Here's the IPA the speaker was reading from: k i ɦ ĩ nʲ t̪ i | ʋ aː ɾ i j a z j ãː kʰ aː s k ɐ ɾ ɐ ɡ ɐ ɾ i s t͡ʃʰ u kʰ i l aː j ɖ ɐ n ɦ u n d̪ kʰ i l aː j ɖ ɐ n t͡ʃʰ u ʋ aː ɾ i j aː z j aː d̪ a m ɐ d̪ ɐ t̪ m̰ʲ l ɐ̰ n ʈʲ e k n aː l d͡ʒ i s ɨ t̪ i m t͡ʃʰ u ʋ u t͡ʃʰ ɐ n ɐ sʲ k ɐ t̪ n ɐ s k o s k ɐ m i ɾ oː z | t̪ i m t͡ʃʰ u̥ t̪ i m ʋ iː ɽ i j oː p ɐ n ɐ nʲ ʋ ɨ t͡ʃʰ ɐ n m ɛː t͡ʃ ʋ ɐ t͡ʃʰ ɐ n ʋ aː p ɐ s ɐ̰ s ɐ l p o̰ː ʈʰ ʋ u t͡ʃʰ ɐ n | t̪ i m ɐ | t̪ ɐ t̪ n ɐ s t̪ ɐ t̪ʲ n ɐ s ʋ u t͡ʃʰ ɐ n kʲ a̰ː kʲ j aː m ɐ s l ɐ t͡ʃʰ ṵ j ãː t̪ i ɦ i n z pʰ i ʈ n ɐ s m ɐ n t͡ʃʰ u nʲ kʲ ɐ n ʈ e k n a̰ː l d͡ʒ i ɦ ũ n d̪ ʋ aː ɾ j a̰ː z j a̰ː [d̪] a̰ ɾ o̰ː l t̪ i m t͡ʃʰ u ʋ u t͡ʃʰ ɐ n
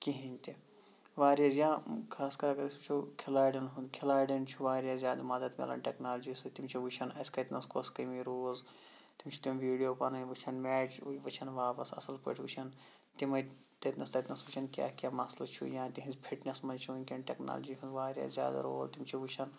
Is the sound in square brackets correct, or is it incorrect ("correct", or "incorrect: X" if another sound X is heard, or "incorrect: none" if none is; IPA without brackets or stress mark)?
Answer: correct